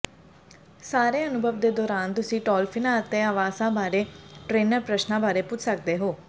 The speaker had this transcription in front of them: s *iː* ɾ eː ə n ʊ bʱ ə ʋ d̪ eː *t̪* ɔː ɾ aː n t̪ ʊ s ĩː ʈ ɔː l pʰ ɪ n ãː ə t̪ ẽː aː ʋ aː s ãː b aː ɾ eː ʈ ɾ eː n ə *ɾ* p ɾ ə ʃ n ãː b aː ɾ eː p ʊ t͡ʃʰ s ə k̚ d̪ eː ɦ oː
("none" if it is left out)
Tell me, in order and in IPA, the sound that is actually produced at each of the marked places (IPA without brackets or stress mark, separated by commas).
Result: aː, d̪, ɾ